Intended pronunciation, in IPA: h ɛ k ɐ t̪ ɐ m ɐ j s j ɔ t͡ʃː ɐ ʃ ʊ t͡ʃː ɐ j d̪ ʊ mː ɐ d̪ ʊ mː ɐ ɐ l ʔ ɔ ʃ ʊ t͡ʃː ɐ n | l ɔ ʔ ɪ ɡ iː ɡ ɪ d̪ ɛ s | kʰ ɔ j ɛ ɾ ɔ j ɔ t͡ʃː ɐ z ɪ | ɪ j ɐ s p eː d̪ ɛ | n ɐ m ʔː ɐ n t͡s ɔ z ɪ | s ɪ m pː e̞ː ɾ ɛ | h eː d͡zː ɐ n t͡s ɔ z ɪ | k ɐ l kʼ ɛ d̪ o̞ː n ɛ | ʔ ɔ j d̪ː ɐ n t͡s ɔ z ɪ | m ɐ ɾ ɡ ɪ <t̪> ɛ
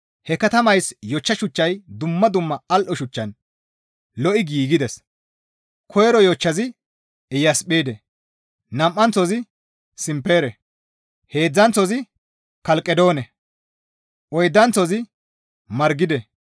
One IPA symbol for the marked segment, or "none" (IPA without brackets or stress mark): d̪